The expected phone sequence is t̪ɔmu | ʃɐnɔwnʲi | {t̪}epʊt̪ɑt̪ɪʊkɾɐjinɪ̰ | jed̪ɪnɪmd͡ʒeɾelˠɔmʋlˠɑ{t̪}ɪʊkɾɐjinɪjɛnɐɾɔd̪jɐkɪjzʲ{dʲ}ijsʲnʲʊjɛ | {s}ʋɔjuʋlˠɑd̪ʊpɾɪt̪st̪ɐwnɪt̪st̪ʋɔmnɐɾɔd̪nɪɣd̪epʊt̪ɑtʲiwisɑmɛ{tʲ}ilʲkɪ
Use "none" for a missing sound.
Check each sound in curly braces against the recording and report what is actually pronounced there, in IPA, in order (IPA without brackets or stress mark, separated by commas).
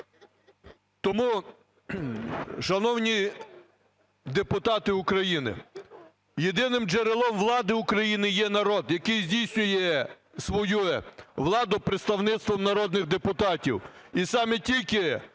d̪, d̪, dʲ, s, tʲ